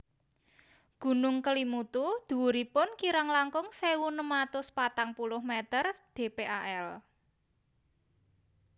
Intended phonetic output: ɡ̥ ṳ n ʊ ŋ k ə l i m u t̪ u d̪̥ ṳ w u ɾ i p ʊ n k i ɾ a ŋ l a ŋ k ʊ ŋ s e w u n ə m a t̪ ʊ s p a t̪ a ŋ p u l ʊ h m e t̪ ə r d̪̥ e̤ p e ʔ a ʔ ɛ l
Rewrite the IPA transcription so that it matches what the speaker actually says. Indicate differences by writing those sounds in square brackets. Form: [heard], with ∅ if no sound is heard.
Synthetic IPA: ɡ̥ ṳ n ʊ ŋ k ə l i m u t̪ u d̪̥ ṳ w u ɾ i p ʊ n k i ɾ a ŋ l a ŋ k ʊ ŋ s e w u n ə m a t̪ ʊ s p a t̪ a ŋ p u l ʊ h m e t̪ ə r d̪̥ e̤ p e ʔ a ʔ ɛ l

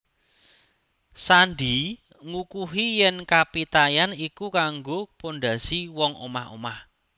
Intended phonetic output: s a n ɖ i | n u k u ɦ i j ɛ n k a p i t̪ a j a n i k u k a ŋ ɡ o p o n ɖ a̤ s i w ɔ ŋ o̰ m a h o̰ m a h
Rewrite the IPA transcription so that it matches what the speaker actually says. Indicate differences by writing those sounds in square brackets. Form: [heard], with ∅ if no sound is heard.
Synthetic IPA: s a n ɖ i | [ŋ] u k u ɦ i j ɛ n k a p i t̪ a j a n i k u k a ŋ ɡ o p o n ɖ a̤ s i w ɔ ŋ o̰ m a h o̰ m a h

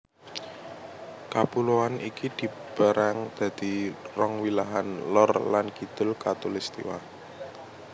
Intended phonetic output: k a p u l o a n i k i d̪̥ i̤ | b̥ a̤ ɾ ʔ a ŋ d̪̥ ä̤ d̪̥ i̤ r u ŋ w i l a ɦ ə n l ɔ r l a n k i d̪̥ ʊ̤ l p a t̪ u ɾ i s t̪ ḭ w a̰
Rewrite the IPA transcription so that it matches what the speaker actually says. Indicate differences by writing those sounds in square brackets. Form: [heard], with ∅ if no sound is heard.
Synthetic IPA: k a p u l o a n i k i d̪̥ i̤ | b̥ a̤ ɾ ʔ a ŋ d̪̥ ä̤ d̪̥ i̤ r [ɔ] ŋ w i l a ɦ [a] n l ɔ r l a n k i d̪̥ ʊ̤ l [k] a t̪ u [l] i s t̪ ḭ w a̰

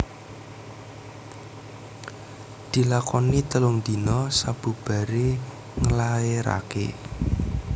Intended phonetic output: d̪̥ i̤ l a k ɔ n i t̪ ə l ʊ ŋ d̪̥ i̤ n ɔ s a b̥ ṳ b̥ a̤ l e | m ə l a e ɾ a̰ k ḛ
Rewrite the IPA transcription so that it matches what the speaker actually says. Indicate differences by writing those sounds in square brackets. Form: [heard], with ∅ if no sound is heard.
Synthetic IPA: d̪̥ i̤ l a k ɔ n i t̪ ə l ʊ ŋ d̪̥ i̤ n ɔ s a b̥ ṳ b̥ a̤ [ɾ] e | [ŋ] ə l a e ɾ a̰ k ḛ

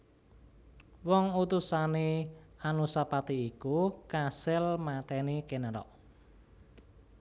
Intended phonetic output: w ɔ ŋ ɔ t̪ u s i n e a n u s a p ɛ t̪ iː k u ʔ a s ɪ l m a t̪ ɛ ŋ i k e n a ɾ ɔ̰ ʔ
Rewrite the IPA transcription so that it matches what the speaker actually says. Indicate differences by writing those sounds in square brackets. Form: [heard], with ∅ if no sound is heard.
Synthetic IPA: w ɔ ŋ [u] t̪ u s [a] n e a n u s a p [a] t̪ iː k u [k] a s ɪ l m a t̪ ɛ [n] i k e n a ɾ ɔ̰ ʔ

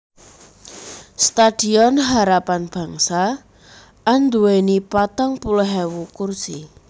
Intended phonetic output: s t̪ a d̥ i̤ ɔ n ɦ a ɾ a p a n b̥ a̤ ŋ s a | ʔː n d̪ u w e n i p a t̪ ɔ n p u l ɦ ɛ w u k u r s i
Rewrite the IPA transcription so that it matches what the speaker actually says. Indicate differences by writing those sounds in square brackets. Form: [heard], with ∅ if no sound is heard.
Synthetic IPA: s t̪ a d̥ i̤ ɔ n ɦ a ɾ a p a n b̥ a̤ ŋ s a | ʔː n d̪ u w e n i p a t̪ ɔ [ŋ] p u l ɦ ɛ w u k u r s i

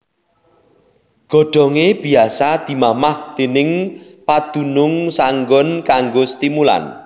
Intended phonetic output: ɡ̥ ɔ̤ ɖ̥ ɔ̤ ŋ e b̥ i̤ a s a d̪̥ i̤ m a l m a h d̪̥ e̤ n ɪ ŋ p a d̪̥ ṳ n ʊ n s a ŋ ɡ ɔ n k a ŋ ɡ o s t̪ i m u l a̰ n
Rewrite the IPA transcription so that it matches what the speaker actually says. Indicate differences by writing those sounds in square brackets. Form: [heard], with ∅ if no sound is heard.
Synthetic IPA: ɡ̥ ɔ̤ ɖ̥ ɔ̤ ŋ e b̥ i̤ a s a d̪̥ i̤ m a [∅] m a h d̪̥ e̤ n ɪ ŋ p a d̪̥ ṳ n ʊ [ŋ] s a ŋ ɡ ɔ n k a ŋ ɡ o s t̪ i m u l a̰ n

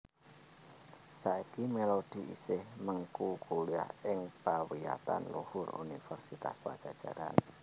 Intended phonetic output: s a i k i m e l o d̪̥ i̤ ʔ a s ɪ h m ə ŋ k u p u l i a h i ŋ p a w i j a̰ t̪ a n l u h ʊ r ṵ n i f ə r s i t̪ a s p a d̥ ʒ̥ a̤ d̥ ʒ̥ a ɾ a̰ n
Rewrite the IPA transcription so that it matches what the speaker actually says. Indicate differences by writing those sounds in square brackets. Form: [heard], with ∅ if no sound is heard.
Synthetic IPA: s a i k i m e l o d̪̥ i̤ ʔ [i] s ɪ h m ə ŋ k u [k] u l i a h [ɪ] ŋ p a w i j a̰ t̪ a n l u h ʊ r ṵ n i f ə r s i t̪ a s p a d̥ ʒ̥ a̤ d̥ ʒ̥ a ɾ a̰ n

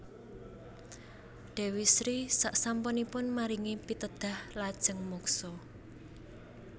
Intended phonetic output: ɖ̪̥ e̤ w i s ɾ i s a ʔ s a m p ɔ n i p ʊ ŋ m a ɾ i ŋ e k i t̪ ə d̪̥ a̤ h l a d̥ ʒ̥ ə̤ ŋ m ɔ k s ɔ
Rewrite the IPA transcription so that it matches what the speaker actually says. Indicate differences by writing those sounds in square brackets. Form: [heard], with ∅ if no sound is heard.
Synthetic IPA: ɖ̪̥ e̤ w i s ɾ i s a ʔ s a m p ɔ n i p ʊ [n] m a ɾ i ŋ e [p] i t̪ ə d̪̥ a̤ h l a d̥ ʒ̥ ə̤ ŋ m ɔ k s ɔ

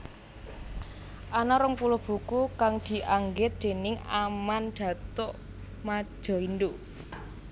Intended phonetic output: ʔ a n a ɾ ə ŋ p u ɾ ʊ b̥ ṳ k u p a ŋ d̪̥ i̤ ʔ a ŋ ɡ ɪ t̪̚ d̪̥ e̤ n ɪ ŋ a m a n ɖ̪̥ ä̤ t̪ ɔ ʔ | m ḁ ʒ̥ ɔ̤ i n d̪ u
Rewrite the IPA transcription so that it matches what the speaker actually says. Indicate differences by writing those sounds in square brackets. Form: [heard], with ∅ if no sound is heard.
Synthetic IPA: ʔ a n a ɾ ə ŋ p u [l] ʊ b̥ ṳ k u [k] a ŋ d̪̥ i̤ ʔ a ŋ ɡ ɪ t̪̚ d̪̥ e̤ n ɪ ŋ a m a n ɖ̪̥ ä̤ t̪ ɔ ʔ | m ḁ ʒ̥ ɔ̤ i n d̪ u

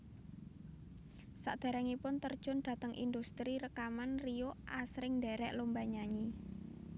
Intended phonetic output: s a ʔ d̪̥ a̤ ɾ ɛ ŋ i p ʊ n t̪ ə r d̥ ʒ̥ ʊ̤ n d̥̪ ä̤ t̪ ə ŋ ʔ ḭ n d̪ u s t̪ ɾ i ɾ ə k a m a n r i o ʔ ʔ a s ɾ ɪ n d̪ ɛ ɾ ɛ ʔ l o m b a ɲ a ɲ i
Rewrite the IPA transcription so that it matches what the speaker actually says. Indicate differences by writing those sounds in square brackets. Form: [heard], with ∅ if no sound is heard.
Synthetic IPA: s a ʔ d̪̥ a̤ ɾ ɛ ŋ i p ʊ n t̪ ə r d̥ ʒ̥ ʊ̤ n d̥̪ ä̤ t̪ ə ŋ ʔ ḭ n d̪ u s t̪ ɾ i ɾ ə k a m a n r i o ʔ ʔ a s ɾ ɪ [ŋ] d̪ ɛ ɾ ɛ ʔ l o m b a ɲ a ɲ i

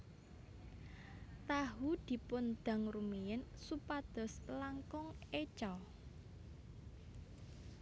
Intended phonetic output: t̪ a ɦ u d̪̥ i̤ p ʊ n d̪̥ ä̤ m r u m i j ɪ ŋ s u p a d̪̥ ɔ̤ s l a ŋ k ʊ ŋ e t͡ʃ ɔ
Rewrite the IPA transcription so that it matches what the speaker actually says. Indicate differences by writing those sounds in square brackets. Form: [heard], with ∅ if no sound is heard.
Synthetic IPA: t̪ a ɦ u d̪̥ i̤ p ʊ n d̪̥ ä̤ [ŋ] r u m i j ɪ [n] s u p a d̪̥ ɔ̤ s l a ŋ k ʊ ŋ e t͡ʃ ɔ

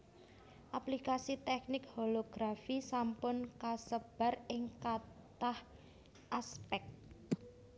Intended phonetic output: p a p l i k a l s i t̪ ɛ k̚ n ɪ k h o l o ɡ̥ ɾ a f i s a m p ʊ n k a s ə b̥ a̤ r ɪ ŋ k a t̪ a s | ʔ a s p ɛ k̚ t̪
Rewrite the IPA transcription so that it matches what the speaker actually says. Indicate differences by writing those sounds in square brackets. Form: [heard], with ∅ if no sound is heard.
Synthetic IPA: [ʔ] a p l i k a [∅] s i t̪ ɛ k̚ n ɪ k h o l o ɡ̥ ɾ a f i s a m p ʊ n k a s ə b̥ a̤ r ɪ ŋ k a t̪ a [h] | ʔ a s p ɛ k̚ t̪

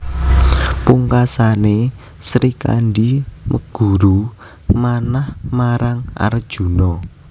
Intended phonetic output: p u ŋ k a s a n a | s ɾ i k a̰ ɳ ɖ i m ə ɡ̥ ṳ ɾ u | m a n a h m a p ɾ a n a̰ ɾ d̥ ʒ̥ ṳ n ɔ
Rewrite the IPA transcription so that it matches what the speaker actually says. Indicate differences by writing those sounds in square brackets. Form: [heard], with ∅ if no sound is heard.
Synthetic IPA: p u ŋ k a s a n [e] | s ɾ i k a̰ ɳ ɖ i m ə ɡ̥ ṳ ɾ u | m a n a h m a [∅] ɾ a [ŋ] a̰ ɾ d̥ ʒ̥ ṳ n ɔ

